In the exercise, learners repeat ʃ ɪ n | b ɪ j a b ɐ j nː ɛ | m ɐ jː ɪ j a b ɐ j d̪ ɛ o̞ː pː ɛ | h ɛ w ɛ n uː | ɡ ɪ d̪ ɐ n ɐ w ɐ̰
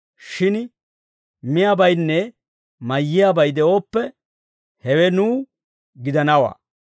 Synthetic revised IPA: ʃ ɪ n | m ɪ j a b ɐ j nː ɛ | m ɐ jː ɪ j a b ɐ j d̪ ɛ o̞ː pː ɛ | h ɛ w ɛ n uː | ɡ ɪ d̪ ɐ n ɐ w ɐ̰